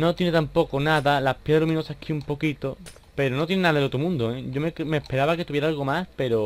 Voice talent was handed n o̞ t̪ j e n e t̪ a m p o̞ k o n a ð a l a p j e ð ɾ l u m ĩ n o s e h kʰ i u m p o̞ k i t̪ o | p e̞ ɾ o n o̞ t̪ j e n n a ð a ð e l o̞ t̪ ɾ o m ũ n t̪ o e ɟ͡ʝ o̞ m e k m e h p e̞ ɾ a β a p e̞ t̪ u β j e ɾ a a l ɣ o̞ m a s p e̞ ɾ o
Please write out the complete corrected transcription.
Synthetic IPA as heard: n o̞ t̪ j e n e t̪ a m p o̞ k o n a ð a l a p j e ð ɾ l u m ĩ n o s a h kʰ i u m p o̞ k i t̪ o | p e̞ ɾ o n o̞ t̪ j e n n a ð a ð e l o̞ t̪ ɾ o m ũ n d̪ o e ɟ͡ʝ o̞ m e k m e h p e̞ ɾ a β a k e̞ t̪ u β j e ɾ a a l ɣ o̞ m a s p e̞ ɾ o